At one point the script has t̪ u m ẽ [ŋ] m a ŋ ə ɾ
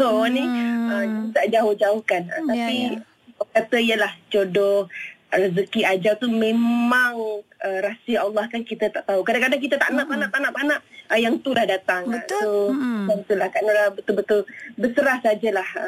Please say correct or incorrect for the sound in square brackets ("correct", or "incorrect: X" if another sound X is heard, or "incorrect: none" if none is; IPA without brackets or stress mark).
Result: incorrect: m